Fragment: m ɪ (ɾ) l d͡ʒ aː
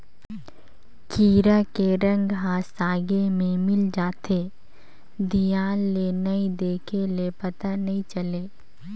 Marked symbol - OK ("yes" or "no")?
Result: no